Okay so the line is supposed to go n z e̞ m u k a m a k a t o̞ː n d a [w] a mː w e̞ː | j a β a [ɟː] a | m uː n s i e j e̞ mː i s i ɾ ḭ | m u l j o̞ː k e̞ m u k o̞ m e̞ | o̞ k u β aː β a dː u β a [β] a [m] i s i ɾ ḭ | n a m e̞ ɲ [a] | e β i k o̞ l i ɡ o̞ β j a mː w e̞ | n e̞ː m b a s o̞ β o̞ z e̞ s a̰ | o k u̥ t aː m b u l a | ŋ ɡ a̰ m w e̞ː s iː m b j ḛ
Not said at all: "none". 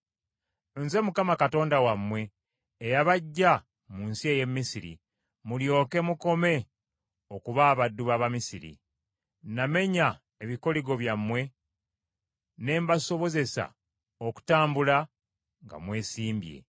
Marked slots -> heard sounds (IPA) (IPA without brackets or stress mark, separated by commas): w, ɟː, β, m, a